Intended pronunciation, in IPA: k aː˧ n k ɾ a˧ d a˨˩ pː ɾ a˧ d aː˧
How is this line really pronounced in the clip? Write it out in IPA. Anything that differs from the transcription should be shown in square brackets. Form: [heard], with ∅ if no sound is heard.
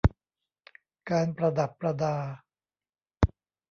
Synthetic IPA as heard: k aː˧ n [p] ɾ a˧ d a˨˩ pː ɾ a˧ d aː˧